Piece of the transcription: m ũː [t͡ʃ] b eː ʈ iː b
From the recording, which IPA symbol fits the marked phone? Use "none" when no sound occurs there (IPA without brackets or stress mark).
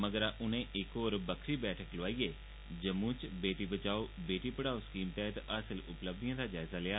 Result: t͡ʃ